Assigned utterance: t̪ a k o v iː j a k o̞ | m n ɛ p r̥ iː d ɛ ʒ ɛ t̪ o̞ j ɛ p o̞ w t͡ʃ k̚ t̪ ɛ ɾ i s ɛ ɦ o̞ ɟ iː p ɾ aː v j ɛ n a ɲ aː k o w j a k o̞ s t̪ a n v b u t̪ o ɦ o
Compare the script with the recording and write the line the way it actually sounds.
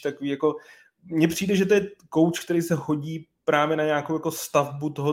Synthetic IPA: t̪ a k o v iː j a k o̞ | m ɲ ɛ p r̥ iː d ɛ ʒ ɛ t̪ o̞ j ɛ k o̞ w t͡ʃ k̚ t̪ ɛ ɾ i s ɛ ɦ o̞ ɟ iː p ɾ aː v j ɛ n a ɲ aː k o w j a k o̞ s t̪ a v b u t̪ o ɦ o